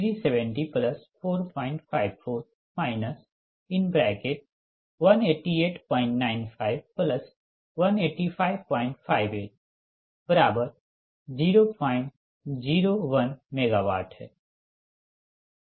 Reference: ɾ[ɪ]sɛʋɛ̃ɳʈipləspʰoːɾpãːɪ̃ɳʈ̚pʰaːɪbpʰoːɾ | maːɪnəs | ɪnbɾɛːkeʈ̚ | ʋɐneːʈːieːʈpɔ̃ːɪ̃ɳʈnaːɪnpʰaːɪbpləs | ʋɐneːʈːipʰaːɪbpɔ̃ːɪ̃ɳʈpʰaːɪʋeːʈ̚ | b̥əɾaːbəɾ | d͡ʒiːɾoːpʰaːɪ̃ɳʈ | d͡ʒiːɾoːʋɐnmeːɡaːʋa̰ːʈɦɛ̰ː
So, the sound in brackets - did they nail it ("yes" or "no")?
no